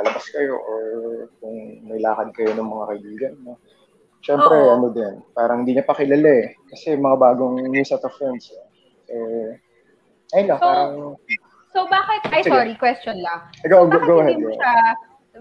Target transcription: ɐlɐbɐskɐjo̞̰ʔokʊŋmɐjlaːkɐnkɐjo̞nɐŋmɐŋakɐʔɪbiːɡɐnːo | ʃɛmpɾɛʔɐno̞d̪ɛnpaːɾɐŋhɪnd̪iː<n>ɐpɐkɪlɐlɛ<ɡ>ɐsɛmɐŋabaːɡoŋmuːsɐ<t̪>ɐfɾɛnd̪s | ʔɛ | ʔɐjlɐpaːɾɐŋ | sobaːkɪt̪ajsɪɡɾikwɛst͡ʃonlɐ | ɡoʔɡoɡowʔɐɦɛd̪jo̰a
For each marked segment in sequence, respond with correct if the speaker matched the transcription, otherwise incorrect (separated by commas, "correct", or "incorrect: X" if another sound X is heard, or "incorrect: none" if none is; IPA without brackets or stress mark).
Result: incorrect: ɲ, incorrect: k, correct